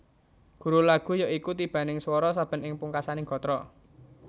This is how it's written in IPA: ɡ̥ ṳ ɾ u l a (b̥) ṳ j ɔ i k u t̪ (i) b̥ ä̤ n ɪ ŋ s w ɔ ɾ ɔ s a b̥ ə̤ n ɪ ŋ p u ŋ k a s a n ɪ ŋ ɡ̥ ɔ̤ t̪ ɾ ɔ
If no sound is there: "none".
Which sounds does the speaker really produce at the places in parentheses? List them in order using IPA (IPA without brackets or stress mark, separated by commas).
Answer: ɡ̥, i